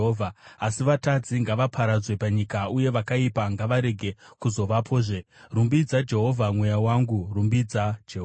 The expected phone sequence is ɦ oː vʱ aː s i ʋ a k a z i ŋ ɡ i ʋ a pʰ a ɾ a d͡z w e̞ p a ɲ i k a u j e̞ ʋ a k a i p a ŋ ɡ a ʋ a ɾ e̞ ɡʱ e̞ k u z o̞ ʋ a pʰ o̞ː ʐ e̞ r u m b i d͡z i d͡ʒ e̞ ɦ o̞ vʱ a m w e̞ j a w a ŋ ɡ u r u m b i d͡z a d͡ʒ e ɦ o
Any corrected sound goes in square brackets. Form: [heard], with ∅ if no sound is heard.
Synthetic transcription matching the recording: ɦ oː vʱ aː s i ʋ a [t] a [d͡z] i ŋ ɡ [a] ʋ a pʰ a ɾ a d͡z w e̞ p a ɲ i k a u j e̞ ʋ a k a i p a ŋ ɡ a ʋ a ɾ e̞ ɡʱ e̞ k u z o̞ ʋ a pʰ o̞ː ʐ e̞ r u m b i d͡z [a] d͡ʒ e̞ ɦ o̞ vʱ a m w e̞ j a w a ŋ ɡ u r u m b i d͡z a d͡ʒ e ɦ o